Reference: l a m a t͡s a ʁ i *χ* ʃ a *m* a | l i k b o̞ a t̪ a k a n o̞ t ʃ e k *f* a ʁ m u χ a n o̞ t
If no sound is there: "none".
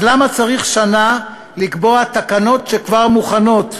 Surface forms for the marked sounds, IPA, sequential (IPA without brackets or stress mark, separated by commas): χ, n, v